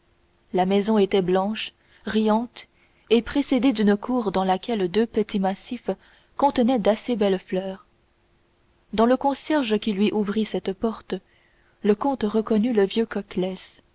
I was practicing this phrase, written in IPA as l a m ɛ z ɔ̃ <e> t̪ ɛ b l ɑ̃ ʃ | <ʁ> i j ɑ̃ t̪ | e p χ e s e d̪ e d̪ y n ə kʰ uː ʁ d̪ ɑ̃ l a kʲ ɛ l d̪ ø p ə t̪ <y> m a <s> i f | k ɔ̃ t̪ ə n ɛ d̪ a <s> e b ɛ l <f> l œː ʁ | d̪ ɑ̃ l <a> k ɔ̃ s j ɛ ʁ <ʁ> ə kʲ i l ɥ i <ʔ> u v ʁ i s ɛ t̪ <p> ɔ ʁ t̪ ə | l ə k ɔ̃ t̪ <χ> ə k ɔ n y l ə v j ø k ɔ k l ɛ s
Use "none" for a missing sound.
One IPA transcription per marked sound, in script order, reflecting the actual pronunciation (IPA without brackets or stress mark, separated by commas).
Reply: e, ʁ, i, s, s, f, ə, ʒ, ʔ, p, ʁ